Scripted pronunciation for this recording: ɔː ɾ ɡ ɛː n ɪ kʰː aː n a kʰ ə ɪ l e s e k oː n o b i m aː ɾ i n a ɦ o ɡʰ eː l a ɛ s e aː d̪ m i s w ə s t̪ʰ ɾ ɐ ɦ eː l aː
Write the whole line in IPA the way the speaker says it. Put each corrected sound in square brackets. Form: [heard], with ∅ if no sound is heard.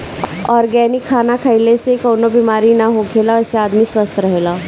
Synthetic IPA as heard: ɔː ɾ ɡ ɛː n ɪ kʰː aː n a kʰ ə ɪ l e s e k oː n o b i m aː ɾ i n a ɦ o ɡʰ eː l a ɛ s e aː d̪ m i s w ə s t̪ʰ ɾ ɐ ɦ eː l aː